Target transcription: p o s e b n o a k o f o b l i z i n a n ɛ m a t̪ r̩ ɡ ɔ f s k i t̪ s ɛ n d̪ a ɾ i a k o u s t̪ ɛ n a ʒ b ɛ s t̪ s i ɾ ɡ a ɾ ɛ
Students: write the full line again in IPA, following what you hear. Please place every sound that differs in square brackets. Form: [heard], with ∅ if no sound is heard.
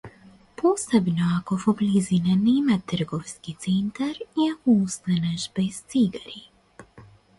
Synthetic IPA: p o s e b n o a k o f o b l i z i n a n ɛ m a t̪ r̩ ɡ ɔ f s k i t̪ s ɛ n [t̪] a ɾ i a k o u s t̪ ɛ n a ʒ b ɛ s t̪ s i [∅] ɡ a ɾ [i]